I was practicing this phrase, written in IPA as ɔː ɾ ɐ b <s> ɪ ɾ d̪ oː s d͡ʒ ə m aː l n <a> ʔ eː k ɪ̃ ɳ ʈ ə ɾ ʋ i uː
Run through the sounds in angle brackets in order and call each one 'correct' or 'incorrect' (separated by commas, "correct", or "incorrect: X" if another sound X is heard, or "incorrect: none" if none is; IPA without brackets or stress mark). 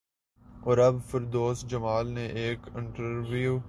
incorrect: f, incorrect: e